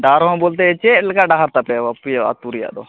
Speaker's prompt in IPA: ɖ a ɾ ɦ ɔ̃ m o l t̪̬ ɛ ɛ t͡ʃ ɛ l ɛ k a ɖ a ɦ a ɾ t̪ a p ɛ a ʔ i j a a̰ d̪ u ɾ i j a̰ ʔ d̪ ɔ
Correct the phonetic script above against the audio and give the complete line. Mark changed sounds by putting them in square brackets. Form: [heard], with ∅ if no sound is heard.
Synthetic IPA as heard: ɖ a ɾ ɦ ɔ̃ [b] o l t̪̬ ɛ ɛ t͡ʃ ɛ l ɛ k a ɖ a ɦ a ɾ t̪ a p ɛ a [p] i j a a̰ [t̪] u ɾ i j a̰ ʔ d̪ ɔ